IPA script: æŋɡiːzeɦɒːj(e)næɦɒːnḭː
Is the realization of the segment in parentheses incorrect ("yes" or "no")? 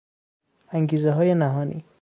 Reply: no